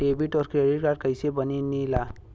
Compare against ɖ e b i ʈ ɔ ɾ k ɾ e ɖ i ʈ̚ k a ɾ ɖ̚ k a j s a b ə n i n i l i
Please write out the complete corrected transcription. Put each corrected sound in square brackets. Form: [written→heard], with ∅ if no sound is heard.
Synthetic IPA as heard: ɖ e b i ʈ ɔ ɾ k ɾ e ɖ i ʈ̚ k a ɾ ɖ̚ k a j s [a→e] b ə n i n i l [i→a]